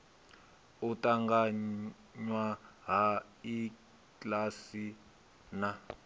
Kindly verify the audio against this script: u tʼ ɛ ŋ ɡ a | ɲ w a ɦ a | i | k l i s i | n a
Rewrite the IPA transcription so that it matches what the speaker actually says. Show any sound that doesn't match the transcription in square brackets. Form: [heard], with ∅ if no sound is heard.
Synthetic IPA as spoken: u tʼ [a] ŋ ɡ a | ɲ w a ɦ a | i | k l [a] s i | n a